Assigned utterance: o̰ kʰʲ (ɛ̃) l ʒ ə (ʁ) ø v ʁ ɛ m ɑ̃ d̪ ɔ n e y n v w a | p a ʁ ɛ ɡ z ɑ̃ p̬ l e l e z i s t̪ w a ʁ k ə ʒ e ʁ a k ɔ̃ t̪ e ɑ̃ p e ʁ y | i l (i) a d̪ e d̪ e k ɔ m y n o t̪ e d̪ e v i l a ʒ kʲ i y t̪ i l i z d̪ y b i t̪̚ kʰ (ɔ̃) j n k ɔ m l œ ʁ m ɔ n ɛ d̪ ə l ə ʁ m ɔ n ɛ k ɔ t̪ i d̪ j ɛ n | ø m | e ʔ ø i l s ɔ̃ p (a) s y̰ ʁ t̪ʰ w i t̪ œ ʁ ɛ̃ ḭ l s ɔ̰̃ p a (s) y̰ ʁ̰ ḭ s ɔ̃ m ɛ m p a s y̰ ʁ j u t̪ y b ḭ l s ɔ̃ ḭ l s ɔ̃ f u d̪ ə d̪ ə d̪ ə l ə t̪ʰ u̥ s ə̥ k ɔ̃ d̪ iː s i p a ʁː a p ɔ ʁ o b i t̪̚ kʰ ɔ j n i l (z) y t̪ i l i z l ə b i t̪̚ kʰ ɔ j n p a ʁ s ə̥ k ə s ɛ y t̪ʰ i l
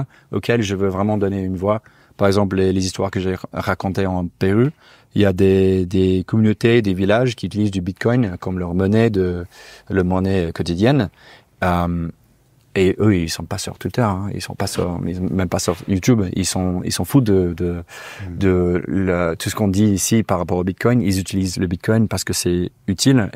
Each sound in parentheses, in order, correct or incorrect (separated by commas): incorrect, incorrect, incorrect, incorrect, correct, correct, correct